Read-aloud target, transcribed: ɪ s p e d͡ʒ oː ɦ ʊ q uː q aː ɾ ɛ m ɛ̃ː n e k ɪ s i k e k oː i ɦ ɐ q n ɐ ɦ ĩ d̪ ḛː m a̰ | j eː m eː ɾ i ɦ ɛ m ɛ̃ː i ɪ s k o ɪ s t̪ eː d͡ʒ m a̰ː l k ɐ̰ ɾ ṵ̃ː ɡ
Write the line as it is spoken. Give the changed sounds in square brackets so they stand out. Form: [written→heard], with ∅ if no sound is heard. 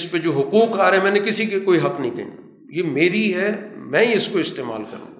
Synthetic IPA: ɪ s p e d͡ʒ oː ɦ ʊ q uː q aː ɾ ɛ m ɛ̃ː n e k ɪ s i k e k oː i ɦ ɐ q n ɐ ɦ ĩ d̪ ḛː [m→n] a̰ | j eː m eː ɾ i ɦ ɛ m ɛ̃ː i ɪ s k o ɪ s t̪ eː [d͡ʒ→∅] m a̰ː l k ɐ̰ ɾ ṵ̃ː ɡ